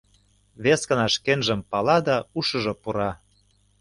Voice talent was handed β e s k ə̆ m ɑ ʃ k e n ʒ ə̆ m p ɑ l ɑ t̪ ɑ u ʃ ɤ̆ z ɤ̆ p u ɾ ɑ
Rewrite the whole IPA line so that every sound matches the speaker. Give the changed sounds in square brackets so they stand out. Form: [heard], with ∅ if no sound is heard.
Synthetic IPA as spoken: β e s k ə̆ [n] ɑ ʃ k e n ʒ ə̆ m p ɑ l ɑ [d̪] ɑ u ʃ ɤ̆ [ʒ] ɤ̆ p u ɾ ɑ